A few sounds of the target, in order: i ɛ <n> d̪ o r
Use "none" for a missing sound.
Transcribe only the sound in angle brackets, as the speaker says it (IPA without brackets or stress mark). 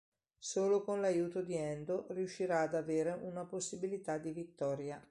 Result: n